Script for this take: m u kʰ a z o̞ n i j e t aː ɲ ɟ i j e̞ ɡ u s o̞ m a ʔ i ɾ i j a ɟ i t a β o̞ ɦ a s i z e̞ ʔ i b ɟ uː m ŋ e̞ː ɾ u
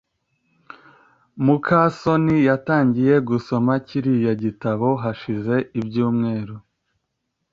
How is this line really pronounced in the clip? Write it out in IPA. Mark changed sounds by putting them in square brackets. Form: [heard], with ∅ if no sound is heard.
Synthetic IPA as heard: m u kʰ a [s] o̞ n i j [a] t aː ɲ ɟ i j e̞ ɡ u s o̞ m a [c] i ɾ i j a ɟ i t a β o̞ ɦ a [ʃ] i z e̞ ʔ i b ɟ uː m ŋ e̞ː ɾ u